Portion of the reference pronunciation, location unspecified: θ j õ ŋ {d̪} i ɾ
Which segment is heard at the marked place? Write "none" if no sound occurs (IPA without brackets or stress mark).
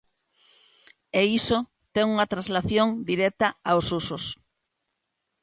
d̪